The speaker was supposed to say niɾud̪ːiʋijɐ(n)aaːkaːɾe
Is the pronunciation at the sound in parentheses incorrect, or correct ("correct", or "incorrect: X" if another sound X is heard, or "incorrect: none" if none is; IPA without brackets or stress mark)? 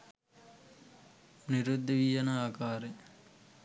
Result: correct